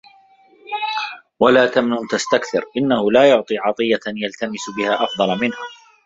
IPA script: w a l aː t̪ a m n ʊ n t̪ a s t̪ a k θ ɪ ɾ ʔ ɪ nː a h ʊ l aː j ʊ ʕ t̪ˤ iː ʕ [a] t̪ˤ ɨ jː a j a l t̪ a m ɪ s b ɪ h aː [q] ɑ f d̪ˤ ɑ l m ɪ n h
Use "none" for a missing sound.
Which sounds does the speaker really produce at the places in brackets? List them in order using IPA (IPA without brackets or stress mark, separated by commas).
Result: ɑ, ʔ